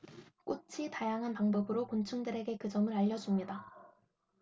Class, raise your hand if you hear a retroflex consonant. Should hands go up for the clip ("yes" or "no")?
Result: no